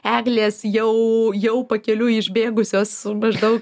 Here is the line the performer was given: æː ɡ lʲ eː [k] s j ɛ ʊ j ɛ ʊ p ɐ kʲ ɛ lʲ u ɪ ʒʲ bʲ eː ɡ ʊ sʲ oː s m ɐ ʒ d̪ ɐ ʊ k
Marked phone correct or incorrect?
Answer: incorrect